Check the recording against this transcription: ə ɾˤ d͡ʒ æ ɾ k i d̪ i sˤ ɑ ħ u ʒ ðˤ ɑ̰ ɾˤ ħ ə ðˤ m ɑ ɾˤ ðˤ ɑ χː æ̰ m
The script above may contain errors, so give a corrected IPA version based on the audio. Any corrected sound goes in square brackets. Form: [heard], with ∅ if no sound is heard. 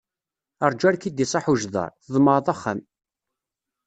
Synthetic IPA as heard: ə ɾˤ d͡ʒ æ ɾ k i d̪ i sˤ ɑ ħ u ʒ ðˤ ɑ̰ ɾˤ [θ] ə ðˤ m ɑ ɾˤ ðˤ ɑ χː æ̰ m